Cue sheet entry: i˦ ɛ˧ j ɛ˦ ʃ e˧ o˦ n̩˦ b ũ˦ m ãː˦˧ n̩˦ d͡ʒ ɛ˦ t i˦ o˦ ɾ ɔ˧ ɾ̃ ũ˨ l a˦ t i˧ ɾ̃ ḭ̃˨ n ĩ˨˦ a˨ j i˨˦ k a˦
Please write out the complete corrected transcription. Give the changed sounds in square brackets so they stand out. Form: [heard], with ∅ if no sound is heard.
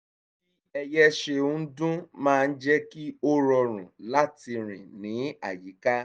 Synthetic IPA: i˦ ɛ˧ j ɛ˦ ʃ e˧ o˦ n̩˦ [d] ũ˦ m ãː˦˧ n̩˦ d͡ʒ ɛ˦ [k] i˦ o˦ ɾ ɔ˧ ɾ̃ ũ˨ l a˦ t i˧ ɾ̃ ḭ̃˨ n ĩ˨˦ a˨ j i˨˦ k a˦